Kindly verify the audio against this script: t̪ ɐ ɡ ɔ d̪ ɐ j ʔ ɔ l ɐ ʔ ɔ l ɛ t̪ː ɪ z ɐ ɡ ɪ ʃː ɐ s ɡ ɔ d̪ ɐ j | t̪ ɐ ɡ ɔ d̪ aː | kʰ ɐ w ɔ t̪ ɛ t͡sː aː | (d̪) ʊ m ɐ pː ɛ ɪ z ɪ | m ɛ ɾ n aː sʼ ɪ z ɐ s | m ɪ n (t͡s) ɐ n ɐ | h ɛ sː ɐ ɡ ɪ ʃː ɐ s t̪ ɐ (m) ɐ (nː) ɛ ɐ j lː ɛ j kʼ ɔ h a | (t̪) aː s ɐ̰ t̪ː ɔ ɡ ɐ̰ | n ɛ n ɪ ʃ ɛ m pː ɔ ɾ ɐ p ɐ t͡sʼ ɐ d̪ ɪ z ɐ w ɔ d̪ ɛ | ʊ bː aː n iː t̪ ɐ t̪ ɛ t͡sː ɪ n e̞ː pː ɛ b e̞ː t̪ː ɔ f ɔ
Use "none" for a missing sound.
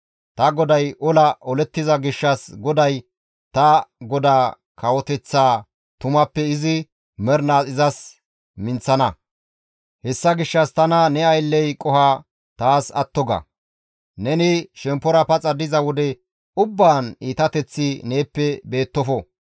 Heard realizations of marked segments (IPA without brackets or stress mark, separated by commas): t̪, t͡s, n, n, t̪